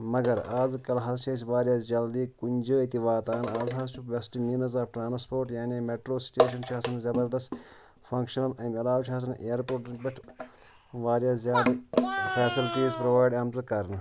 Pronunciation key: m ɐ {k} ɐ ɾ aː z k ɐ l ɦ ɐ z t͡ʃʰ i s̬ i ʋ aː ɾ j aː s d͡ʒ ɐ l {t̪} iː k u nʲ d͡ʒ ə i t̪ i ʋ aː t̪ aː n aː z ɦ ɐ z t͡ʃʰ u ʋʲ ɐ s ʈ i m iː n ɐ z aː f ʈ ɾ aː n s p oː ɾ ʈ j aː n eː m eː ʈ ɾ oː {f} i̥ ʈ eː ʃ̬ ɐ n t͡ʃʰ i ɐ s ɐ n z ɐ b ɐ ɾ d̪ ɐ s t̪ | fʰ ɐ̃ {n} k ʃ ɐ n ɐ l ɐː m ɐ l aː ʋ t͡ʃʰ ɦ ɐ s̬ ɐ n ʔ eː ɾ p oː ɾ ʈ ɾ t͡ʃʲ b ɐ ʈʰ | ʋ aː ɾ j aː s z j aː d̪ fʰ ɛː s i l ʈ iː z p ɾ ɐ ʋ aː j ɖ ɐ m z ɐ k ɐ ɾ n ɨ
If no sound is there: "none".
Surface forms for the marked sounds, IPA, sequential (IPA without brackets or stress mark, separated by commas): ɡ, d̪, s, ŋ